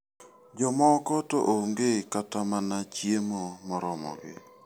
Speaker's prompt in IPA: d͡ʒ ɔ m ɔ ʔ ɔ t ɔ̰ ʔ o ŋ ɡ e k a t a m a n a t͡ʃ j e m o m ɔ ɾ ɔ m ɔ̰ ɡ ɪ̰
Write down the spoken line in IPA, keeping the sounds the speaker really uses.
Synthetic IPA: d͡ʒ ɔ m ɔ k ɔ t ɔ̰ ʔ o ŋ ɡ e k a t a m a n a t͡ʃ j e m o m ɔ ɾ ɔ m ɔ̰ ɡ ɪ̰